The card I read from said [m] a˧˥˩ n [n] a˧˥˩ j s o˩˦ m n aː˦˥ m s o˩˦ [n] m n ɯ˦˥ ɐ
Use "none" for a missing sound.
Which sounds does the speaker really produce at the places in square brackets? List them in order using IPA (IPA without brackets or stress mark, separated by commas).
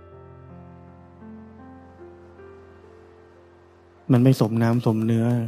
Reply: m, m, none